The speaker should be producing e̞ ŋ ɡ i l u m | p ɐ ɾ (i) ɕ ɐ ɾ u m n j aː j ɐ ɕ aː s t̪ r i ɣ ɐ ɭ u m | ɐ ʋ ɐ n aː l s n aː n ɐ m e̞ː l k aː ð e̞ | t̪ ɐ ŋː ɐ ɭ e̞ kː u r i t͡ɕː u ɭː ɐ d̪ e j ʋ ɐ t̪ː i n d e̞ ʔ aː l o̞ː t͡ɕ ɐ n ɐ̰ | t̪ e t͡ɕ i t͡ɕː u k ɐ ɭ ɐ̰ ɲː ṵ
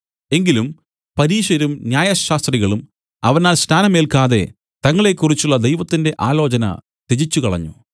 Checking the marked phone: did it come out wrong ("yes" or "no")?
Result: yes